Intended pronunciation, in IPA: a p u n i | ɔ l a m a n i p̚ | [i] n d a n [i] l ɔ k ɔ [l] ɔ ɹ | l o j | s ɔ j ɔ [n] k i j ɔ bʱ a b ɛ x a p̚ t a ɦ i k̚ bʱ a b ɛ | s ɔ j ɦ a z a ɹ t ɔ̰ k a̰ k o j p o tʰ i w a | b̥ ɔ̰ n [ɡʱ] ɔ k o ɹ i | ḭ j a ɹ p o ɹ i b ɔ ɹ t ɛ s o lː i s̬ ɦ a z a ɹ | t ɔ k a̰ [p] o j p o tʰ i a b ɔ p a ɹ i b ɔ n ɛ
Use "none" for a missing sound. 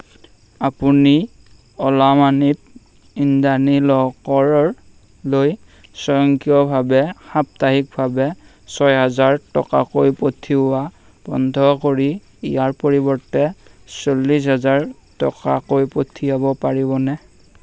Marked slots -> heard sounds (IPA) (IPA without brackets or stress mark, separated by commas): i, i, ɹ, ŋ, dʱ, k